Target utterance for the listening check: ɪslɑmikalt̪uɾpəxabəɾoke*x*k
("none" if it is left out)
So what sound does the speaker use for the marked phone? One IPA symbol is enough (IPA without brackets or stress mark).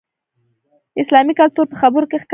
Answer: x